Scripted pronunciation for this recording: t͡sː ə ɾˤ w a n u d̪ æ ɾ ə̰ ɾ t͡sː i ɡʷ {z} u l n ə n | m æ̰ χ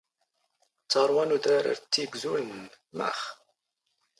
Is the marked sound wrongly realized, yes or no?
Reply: no